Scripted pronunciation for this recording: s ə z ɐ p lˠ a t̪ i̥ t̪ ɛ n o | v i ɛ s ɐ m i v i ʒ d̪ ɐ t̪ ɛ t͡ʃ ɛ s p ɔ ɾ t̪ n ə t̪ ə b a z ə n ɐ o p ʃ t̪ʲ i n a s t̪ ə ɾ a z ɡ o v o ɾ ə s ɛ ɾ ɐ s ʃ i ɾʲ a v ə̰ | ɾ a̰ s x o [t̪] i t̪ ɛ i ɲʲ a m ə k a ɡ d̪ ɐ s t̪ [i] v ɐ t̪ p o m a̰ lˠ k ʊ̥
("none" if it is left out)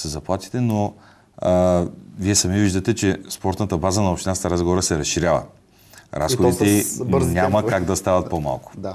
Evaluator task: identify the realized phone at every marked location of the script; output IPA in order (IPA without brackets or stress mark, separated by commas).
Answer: d̪, a